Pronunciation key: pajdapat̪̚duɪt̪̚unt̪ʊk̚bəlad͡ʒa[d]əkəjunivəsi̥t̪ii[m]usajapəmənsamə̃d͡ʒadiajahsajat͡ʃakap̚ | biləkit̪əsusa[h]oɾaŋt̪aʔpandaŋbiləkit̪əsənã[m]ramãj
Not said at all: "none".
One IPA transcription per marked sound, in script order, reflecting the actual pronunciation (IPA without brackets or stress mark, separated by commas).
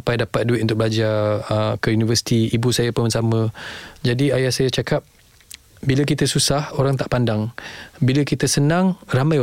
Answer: none, b, h, ŋ